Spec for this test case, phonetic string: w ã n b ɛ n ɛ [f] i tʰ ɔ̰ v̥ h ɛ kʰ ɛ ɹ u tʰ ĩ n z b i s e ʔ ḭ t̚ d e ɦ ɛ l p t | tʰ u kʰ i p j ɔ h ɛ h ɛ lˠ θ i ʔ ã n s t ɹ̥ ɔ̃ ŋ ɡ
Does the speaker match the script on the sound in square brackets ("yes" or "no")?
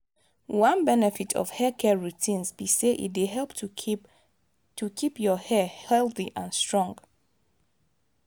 yes